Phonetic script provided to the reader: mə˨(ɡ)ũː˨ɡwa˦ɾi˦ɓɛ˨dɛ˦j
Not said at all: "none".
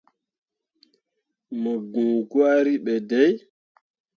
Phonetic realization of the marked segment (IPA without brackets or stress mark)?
ɡ